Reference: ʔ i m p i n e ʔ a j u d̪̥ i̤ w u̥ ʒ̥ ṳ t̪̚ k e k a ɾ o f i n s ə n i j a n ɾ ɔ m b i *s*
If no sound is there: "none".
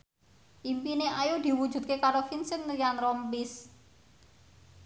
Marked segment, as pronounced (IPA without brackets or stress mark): s